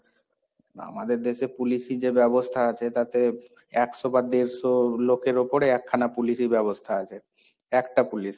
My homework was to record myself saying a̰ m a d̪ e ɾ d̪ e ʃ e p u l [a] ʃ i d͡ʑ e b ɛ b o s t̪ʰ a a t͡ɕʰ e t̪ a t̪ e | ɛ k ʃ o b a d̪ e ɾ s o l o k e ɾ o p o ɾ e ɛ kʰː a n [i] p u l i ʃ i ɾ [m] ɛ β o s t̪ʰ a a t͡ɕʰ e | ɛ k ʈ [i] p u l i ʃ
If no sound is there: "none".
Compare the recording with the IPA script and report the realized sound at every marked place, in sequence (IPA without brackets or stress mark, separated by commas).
i, a, b, a